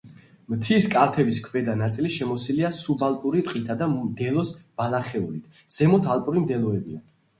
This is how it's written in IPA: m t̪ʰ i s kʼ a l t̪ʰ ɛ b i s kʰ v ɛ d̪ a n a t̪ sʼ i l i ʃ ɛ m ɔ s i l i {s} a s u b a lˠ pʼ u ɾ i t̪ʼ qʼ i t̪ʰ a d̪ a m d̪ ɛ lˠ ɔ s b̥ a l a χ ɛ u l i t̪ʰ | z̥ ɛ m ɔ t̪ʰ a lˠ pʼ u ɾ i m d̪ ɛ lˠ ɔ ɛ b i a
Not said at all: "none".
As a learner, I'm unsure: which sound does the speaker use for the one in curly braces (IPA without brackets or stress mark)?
none